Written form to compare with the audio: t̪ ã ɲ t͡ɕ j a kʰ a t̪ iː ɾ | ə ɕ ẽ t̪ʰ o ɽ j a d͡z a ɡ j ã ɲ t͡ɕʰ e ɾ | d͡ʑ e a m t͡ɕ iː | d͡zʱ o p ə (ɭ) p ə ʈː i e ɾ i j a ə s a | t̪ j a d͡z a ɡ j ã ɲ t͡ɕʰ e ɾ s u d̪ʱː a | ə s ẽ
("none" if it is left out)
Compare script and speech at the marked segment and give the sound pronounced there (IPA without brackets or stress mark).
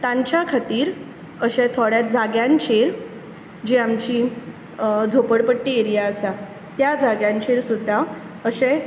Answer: ɽ